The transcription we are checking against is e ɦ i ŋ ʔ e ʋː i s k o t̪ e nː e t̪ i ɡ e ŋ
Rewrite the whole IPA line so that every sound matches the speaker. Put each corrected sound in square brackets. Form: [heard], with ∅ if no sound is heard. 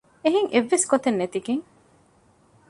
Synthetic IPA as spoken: e ɦ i ŋ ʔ e ʋː [e] s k o t̪ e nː e t̪ i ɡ e ŋ